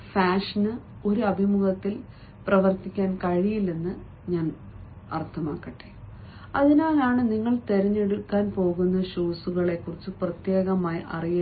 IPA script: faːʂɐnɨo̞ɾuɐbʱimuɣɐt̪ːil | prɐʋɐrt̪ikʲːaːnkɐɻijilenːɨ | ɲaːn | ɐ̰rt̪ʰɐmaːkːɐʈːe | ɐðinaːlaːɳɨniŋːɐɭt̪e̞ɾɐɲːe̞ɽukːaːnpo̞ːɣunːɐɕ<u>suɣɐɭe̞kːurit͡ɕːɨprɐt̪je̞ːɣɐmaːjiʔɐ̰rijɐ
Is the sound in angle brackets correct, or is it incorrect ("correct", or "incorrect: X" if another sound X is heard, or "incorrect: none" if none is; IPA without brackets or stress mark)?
incorrect: uː